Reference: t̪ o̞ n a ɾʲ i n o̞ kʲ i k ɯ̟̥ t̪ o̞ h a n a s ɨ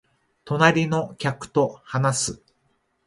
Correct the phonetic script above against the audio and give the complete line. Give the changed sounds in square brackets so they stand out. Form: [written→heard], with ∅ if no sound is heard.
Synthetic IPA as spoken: t̪ o̞ n a ɾʲ i n o̞ kʲ [i→a] k ɯ̟̥ t̪ o̞ h a n a s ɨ